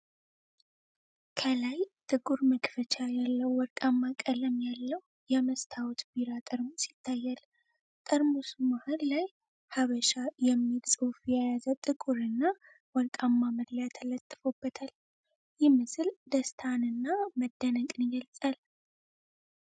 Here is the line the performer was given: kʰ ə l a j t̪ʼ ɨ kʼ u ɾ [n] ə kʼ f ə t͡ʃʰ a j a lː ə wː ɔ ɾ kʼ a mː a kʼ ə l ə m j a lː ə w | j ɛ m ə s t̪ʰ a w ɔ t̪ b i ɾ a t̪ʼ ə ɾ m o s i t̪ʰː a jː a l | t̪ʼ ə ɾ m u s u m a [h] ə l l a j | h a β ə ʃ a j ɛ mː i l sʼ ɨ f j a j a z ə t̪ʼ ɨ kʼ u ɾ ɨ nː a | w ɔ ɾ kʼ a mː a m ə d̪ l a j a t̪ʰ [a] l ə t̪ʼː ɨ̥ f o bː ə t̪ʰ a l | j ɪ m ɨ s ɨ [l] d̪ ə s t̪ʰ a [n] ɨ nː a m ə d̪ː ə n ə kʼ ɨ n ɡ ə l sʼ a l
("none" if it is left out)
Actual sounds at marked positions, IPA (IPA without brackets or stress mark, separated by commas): m, h, ə, l, n